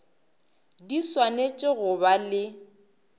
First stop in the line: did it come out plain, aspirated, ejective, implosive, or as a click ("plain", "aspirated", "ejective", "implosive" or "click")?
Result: plain